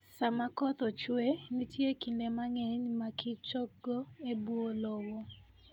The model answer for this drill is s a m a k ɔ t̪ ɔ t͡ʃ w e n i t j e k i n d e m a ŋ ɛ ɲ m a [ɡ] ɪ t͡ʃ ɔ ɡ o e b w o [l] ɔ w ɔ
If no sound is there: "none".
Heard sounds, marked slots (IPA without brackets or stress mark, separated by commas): k, l